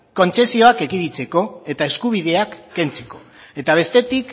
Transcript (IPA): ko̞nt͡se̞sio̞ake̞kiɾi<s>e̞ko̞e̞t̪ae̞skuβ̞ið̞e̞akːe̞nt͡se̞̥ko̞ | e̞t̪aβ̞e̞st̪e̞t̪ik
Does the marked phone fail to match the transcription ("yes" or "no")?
yes